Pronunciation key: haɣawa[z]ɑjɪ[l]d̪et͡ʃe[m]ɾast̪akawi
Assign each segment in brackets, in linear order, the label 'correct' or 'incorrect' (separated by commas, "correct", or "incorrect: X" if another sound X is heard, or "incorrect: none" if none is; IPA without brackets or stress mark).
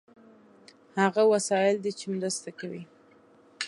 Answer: incorrect: s, correct, correct